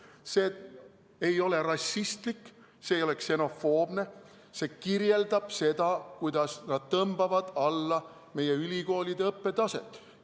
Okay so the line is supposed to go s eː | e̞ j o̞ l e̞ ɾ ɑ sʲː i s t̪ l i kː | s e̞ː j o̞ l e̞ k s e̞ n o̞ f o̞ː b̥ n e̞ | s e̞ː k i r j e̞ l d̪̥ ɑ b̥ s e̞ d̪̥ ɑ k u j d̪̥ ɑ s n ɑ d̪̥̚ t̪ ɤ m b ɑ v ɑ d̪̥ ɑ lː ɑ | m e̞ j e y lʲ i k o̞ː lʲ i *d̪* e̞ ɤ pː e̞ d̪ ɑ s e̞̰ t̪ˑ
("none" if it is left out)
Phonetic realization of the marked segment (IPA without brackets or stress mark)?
d̪